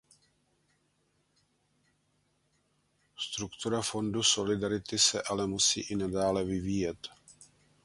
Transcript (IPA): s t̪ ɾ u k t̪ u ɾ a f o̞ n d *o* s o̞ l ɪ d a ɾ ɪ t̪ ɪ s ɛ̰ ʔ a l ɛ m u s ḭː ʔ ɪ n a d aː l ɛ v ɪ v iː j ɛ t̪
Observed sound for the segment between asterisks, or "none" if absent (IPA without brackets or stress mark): u